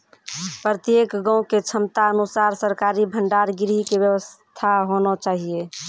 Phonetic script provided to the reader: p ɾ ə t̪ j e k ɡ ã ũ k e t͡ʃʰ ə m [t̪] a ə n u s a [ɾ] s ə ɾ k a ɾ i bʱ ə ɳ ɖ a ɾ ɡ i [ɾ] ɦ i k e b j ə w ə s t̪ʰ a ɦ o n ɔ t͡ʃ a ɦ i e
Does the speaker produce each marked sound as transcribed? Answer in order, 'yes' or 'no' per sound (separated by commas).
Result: yes, yes, yes